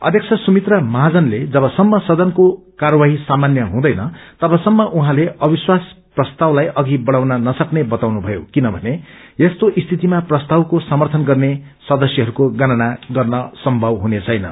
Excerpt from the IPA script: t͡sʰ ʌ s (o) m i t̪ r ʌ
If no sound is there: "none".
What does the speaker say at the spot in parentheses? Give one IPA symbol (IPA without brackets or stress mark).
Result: u